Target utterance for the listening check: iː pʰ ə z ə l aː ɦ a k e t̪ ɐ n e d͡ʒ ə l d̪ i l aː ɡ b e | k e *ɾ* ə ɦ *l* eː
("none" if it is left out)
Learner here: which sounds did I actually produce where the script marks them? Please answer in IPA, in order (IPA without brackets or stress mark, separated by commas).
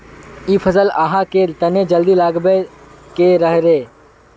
ɾ, ɾ